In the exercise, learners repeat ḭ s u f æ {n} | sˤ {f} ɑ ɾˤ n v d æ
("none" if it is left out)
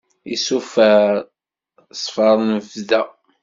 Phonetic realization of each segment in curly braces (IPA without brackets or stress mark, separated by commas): none, f